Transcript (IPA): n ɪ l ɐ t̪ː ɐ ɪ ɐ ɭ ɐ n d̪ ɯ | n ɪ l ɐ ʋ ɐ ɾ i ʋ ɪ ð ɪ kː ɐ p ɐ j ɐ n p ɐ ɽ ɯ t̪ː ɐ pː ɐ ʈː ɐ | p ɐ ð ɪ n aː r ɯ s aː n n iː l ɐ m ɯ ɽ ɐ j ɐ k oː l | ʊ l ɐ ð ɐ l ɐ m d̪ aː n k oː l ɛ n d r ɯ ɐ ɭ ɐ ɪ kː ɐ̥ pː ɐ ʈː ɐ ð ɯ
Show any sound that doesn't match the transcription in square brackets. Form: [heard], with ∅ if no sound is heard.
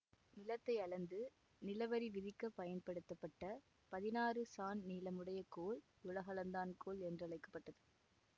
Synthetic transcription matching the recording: n ɪ l ɐ t̪ː ɐ ɪ ɐ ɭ ɐ n d̪ ɯ | n ɪ l ɐ ʋ ɐ ɾ i ʋ ɪ ð ɪ kː ɐ p ɐ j ɐ n p ɐ ɽ ɯ t̪ː ɐ pː ɐ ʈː ɐ | p ɐ ð ɪ n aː r ɯ s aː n n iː l ɐ m ɯ ɽ ɐ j ɐ k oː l | ʊ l ɐ [ɣ] ɐ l ɐ [n] d̪ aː n k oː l ɛ n d r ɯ ɐ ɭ ɐ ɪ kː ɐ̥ pː ɐ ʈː ɐ ð ɯ